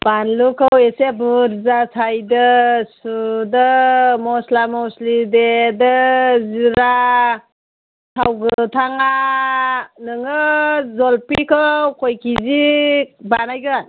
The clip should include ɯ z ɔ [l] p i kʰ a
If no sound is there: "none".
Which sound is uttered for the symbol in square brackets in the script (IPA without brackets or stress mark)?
l